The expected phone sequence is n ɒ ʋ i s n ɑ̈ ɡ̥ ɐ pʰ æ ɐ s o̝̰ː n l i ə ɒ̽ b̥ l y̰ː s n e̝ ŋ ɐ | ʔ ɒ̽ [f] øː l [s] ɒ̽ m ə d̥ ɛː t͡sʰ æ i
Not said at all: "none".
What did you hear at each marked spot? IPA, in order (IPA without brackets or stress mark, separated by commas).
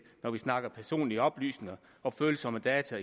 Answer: f, s